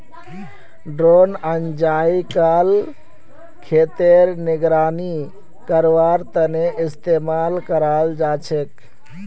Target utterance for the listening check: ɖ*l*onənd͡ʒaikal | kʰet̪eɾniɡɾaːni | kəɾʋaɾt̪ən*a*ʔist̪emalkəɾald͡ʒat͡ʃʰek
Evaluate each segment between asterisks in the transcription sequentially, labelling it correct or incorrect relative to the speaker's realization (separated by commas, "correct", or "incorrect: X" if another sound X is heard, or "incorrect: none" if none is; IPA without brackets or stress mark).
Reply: incorrect: ɾ, incorrect: e